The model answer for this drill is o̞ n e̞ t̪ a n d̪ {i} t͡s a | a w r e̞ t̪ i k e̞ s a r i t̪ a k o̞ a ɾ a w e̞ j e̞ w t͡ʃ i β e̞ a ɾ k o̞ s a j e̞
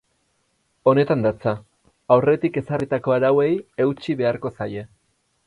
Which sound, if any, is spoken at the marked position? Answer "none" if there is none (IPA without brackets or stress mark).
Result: a